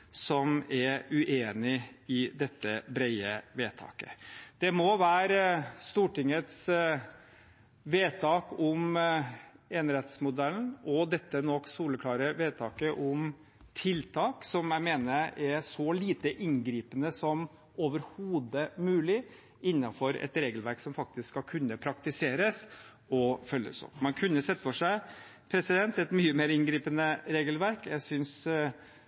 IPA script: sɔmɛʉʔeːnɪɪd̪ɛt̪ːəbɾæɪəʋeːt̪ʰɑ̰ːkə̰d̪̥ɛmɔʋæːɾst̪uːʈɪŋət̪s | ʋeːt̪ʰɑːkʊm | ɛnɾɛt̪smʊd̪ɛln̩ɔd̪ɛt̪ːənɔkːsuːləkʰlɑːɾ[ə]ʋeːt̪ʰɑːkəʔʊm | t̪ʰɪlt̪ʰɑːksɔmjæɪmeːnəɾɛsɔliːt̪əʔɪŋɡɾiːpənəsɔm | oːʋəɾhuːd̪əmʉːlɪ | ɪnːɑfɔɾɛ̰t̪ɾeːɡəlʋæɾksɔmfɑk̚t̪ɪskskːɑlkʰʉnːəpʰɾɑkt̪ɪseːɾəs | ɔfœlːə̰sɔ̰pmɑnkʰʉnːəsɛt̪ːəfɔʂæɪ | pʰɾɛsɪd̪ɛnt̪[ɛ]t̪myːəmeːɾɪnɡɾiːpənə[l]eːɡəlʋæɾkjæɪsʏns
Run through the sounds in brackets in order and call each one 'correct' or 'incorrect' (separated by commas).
correct, correct, incorrect